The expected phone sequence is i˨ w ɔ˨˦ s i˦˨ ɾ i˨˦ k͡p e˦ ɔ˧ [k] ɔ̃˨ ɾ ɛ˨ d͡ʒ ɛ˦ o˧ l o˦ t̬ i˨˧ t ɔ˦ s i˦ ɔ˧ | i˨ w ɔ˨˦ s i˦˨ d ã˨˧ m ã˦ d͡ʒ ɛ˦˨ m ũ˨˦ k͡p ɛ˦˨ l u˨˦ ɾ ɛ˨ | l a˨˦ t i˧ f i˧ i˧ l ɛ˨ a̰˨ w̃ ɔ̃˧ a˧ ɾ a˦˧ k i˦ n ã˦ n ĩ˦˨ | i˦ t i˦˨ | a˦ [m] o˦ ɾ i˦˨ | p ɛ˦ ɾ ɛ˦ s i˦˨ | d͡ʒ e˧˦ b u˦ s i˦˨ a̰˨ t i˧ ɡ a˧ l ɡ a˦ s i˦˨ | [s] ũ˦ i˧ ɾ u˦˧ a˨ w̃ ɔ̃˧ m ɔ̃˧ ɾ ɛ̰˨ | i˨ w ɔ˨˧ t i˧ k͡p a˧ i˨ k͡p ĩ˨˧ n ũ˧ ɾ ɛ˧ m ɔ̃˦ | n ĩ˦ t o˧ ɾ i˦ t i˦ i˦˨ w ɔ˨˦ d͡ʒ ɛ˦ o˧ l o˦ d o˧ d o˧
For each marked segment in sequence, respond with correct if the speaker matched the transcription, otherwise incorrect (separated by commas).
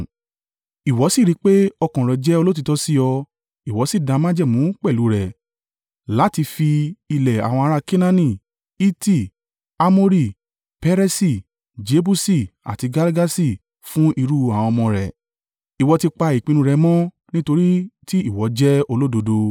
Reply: correct, correct, incorrect